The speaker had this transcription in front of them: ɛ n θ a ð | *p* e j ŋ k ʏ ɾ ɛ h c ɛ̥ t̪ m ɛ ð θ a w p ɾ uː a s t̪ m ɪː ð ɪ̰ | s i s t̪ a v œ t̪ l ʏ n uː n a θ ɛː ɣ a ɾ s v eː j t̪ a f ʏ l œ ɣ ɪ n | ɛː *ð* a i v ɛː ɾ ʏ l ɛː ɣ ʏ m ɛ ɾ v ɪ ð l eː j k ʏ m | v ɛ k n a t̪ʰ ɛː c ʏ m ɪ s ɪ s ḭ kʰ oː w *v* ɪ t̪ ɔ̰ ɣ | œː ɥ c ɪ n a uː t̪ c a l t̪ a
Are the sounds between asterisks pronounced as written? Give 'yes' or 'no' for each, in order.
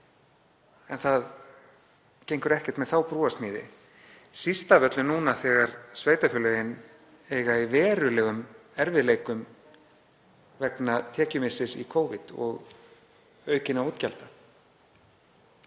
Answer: no, no, yes

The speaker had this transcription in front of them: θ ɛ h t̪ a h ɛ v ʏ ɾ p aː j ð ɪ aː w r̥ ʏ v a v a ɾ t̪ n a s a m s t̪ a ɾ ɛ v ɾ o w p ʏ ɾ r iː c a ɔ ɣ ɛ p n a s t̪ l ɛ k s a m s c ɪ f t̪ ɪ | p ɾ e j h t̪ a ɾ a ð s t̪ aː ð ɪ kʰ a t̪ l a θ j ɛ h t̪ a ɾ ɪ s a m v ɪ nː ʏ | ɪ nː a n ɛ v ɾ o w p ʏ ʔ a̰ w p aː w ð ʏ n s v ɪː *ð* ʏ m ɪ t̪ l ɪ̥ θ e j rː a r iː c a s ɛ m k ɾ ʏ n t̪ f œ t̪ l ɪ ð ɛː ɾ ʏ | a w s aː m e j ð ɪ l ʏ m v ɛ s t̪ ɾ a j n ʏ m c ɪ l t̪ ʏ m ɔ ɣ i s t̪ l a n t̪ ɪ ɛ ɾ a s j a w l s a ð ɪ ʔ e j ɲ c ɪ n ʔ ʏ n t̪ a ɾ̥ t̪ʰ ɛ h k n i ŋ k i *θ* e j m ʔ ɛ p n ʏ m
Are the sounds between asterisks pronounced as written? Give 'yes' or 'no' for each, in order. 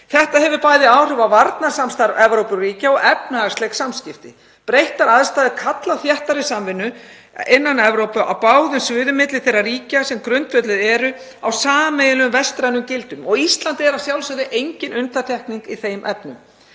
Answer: yes, yes

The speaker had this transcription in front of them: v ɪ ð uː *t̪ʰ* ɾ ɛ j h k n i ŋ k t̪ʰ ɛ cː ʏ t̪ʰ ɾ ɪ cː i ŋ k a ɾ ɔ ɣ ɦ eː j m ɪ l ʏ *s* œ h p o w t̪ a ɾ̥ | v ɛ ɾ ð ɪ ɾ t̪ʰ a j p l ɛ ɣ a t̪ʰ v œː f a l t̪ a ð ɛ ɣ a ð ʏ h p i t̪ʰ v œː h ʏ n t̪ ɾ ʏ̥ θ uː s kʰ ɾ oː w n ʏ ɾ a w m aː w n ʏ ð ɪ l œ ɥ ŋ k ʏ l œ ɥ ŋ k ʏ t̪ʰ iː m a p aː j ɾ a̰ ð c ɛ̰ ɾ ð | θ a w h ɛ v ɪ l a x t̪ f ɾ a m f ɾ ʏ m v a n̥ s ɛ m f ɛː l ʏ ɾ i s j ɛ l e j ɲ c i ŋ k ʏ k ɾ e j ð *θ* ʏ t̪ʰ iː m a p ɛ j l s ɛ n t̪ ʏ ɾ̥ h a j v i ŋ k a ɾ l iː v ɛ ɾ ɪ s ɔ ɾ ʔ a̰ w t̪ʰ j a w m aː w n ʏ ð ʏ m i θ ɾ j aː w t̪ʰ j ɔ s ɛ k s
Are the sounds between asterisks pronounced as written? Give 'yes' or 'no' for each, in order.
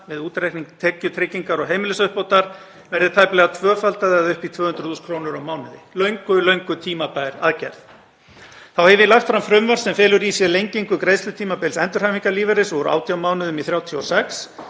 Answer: no, yes, no

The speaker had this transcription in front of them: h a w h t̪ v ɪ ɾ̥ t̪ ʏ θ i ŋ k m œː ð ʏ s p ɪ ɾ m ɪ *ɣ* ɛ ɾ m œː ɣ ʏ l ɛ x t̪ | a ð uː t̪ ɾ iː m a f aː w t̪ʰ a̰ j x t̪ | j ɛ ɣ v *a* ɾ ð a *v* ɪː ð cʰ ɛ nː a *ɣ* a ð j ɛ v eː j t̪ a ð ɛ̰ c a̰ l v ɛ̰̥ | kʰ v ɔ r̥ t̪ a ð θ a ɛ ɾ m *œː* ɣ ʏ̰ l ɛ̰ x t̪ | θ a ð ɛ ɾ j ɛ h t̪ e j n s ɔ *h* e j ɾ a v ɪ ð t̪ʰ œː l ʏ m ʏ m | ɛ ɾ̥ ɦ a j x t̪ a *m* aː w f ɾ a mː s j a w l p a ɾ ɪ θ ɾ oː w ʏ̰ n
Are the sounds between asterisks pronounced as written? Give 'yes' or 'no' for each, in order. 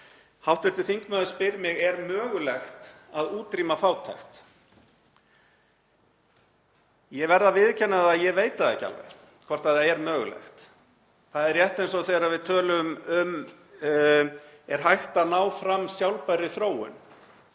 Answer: yes, no, yes, no, yes, no, no

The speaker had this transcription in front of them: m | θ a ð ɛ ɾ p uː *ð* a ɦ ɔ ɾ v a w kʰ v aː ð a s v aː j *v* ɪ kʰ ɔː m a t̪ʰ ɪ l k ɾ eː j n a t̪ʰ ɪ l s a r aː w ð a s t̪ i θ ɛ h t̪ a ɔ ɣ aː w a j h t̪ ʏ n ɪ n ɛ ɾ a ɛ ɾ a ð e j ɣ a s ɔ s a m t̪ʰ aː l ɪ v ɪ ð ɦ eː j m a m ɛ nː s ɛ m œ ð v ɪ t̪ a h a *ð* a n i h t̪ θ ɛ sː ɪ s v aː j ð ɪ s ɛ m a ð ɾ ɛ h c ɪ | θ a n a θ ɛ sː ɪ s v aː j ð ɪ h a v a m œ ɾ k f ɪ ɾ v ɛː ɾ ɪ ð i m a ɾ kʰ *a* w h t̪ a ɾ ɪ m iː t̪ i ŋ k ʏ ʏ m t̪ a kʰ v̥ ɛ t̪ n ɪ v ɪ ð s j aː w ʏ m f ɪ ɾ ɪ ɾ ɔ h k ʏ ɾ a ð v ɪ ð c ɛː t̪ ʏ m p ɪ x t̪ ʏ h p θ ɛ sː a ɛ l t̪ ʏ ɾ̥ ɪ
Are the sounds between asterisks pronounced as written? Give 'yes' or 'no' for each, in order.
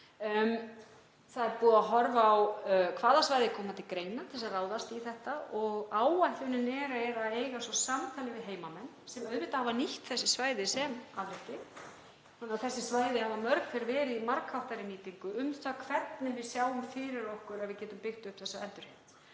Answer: yes, no, no, yes

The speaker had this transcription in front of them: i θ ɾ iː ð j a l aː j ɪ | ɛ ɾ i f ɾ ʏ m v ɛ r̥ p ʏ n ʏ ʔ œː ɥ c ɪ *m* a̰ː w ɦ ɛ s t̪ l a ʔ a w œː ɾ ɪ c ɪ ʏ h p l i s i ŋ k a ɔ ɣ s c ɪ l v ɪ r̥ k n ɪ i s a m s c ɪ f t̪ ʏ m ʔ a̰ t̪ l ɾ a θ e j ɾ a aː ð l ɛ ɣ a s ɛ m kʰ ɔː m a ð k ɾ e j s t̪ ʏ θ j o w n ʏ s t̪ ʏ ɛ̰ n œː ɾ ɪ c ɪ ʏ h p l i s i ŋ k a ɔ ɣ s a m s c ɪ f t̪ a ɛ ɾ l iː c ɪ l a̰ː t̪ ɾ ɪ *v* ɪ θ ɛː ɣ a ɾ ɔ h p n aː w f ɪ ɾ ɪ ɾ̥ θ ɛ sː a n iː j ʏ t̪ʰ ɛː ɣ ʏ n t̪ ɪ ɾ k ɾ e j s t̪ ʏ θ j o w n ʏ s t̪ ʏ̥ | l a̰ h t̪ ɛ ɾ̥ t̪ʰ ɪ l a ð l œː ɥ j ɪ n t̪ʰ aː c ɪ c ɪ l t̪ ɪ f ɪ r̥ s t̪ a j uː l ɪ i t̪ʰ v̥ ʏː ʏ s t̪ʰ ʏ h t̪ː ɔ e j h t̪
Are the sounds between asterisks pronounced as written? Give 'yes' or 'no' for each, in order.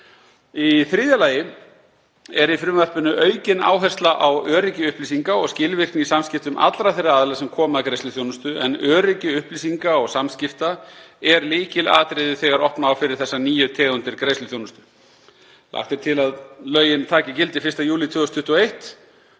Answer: no, no

